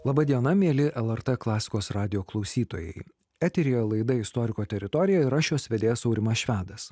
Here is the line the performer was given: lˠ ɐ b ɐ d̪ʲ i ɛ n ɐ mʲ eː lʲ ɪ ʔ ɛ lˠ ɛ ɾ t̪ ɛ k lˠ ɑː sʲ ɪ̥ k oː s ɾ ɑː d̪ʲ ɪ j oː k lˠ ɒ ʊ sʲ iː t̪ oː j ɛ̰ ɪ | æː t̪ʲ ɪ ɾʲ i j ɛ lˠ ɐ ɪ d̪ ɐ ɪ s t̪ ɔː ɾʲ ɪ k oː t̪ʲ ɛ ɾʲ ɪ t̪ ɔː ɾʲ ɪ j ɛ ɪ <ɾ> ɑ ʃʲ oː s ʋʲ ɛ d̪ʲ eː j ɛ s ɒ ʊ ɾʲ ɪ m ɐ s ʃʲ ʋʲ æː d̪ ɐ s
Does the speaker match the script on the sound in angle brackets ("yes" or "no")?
yes